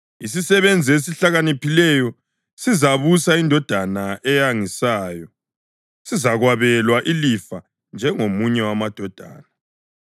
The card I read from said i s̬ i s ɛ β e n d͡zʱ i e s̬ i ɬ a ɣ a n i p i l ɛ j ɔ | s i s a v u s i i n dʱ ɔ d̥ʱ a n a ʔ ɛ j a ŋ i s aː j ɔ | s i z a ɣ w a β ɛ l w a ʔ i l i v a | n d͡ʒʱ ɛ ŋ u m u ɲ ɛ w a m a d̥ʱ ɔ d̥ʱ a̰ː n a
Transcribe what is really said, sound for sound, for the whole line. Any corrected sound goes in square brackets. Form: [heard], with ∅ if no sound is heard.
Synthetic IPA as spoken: i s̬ i s ɛ β e n d͡zʱ i e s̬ i ɬ a ɣ a n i p i l ɛ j ɔ | s i [z] a [β] u s [a] i n dʱ ɔ d̥ʱ a n a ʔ ɛ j a ŋ i s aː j ɔ | s i z a ɣ w a β ɛ l w a ʔ i l i [f] a | n d͡ʒʱ ɛ ŋ [o] m u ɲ ɛ w a m a d̥ʱ ɔ d̥ʱ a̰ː n a